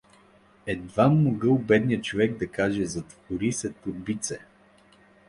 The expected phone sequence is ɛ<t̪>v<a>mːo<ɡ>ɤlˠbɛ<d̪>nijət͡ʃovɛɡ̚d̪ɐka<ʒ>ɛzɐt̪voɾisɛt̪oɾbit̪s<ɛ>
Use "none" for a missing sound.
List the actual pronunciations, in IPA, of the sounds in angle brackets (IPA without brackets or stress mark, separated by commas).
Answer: d̪, a, ɡ, d̪, ʒ, ɛ